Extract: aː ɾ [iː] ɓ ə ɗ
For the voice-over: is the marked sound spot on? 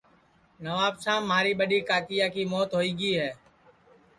yes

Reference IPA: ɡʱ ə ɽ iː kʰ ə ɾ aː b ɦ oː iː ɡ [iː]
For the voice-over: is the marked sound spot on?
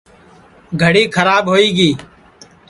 yes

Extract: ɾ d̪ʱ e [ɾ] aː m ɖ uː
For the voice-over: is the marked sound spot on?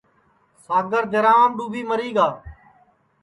yes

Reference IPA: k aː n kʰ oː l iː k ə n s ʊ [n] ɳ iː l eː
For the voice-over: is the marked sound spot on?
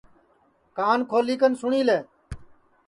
no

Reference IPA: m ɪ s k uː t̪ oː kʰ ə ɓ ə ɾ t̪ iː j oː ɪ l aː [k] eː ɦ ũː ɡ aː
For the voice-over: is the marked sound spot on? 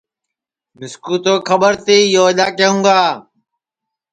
yes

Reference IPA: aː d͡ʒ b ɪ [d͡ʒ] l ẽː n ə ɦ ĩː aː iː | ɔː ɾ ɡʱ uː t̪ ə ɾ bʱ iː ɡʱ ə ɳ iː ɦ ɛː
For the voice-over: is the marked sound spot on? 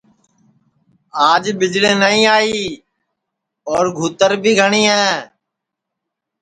yes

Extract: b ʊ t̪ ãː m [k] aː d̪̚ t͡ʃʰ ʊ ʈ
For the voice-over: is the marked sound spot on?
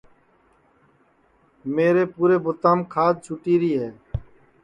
no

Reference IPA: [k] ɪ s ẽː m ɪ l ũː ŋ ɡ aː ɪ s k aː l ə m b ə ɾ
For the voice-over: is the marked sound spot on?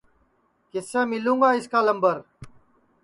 yes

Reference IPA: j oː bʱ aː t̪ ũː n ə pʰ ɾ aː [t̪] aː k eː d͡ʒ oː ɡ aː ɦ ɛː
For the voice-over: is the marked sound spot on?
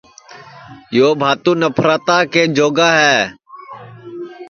yes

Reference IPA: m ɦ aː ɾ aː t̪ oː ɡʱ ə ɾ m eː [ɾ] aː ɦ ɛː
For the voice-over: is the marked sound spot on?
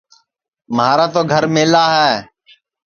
no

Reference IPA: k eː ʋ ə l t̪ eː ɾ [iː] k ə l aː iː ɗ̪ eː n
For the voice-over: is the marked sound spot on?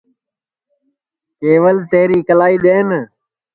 yes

